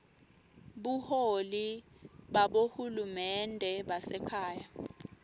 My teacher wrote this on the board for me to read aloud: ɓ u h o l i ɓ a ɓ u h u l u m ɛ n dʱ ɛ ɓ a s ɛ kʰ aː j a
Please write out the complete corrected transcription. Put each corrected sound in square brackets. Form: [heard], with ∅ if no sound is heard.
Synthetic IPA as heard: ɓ u h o l i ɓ a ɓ [o] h u l u m ɛ n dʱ ɛ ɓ a s ɛ kʰ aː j a